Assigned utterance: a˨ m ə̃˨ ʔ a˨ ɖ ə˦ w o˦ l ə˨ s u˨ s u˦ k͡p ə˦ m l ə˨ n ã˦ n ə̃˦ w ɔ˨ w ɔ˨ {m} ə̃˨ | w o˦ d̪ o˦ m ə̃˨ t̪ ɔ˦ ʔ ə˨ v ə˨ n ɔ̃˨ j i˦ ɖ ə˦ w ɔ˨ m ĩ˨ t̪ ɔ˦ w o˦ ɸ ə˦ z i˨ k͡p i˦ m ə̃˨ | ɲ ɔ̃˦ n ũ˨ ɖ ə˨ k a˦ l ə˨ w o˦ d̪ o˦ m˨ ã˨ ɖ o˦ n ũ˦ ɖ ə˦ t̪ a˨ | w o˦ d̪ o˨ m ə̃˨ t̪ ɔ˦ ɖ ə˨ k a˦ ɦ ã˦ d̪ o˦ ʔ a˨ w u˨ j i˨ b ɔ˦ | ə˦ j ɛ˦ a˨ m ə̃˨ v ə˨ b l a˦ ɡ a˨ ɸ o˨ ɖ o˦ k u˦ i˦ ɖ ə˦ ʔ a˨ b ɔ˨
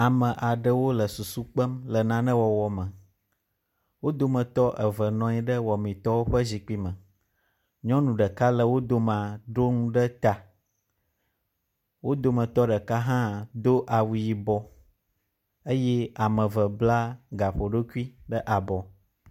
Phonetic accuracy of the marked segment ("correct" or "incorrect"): correct